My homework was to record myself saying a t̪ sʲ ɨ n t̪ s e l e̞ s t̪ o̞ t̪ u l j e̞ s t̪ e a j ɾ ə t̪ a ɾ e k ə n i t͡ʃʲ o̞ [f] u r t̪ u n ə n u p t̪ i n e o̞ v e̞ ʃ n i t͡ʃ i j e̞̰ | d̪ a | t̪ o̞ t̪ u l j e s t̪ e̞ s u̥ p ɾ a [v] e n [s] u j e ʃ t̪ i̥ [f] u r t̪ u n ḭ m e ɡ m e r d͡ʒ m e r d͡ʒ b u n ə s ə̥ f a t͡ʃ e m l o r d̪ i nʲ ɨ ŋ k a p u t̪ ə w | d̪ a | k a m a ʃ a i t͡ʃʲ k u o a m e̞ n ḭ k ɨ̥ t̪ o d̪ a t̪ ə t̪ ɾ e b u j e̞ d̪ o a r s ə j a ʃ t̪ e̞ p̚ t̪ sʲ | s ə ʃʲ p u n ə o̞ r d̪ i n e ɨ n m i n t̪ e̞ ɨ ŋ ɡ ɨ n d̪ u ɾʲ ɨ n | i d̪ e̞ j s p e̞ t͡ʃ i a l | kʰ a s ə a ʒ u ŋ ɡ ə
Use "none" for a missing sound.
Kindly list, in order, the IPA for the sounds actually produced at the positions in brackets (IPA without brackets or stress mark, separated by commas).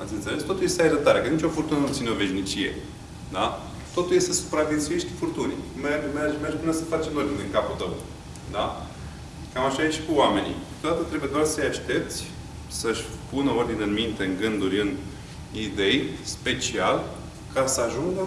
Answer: f, v, s, f